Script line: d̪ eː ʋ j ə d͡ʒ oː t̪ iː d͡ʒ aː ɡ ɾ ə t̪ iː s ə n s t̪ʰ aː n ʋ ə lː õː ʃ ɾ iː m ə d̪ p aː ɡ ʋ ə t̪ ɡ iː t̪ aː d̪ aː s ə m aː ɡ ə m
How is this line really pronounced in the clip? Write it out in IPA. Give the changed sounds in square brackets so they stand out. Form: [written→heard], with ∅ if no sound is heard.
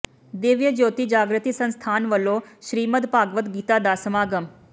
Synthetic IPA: d̪ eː ʋ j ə d͡ʒ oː t̪ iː d͡ʒ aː ɡ ɾ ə t̪ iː s ə n s t̪ʰ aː n ʋ ə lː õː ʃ ɾ iː m ə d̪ p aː ɡ ʋ ə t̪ ɡ iː t̪ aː d̪ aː s ə m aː ɡ ə m